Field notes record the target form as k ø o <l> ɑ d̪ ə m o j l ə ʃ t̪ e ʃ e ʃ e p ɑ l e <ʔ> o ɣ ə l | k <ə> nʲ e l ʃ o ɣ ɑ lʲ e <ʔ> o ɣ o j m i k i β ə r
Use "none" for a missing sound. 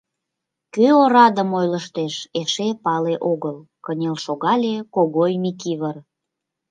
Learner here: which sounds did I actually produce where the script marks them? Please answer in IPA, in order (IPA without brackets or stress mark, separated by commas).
ɾ, ʔ, ə, k